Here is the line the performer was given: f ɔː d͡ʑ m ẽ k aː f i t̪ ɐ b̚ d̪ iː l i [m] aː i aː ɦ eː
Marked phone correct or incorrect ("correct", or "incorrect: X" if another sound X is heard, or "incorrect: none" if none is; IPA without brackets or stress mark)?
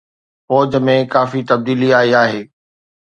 incorrect: none